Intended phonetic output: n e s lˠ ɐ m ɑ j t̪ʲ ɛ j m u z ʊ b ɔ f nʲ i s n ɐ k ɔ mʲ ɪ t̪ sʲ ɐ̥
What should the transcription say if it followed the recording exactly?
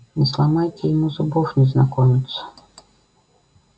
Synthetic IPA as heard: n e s lˠ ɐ m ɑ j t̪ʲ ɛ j m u z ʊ b ɔ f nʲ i z n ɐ k ɔ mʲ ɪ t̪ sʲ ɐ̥